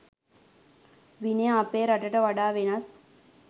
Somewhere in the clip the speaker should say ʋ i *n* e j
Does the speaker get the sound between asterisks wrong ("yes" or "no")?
no